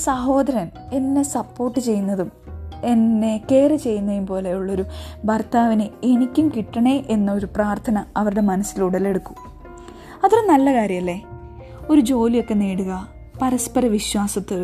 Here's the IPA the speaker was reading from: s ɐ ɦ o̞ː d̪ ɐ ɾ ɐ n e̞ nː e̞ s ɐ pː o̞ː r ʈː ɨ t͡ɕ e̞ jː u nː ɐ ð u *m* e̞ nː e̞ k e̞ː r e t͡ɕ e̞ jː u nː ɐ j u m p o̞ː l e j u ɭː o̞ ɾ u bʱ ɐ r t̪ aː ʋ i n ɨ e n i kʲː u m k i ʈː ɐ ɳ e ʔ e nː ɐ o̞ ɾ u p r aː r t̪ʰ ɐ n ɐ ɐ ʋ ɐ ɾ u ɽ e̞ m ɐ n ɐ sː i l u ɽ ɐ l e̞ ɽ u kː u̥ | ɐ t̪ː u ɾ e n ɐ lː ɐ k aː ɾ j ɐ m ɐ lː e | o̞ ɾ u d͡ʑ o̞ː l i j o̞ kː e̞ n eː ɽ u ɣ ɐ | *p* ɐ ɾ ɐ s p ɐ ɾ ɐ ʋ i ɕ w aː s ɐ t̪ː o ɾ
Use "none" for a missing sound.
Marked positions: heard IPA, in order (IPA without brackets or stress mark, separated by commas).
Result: m, p